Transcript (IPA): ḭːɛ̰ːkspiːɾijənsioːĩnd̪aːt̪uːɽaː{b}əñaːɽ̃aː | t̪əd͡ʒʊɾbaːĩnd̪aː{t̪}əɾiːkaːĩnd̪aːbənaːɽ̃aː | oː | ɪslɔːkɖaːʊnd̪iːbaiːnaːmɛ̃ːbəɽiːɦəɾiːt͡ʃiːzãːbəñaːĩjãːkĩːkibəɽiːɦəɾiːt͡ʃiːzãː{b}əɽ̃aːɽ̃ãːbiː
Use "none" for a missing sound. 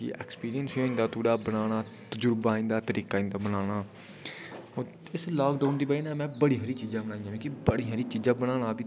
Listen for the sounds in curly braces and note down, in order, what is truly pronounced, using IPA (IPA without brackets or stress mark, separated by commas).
b, t̪, b